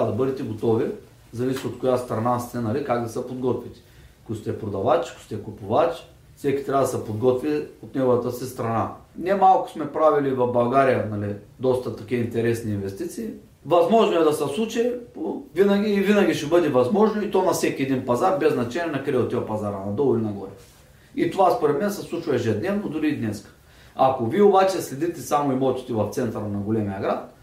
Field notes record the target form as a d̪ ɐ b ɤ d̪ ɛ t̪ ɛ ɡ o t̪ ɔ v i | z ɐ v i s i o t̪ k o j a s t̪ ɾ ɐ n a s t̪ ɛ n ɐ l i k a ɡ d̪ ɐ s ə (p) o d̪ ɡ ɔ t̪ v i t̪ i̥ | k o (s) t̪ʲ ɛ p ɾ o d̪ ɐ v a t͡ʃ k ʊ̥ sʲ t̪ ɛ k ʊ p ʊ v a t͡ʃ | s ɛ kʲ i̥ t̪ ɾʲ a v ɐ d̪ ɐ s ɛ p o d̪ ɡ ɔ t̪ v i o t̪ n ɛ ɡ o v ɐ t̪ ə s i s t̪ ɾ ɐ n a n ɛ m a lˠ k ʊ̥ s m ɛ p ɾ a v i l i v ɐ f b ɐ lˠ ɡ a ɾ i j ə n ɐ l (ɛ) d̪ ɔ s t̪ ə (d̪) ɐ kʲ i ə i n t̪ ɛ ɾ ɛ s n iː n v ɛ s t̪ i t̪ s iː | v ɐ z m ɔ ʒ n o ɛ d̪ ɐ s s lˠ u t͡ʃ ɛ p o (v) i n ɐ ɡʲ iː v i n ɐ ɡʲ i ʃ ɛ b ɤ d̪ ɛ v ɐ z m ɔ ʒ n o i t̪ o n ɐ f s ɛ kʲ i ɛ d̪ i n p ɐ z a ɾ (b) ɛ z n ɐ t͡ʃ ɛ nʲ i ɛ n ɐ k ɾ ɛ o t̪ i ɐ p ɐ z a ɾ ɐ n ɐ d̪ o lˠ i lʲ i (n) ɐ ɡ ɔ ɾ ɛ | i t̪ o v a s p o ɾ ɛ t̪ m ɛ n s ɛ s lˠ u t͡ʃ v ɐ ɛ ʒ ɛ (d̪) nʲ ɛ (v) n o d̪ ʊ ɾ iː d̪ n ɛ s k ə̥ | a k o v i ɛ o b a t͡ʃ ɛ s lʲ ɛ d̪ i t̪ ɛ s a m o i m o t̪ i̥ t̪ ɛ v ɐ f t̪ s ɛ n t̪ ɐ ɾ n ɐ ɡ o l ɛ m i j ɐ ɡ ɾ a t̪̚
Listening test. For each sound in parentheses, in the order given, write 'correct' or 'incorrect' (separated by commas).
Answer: correct, correct, incorrect, incorrect, correct, correct, correct, correct, correct